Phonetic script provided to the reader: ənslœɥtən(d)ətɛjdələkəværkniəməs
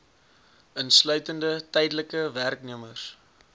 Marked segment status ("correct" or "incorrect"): correct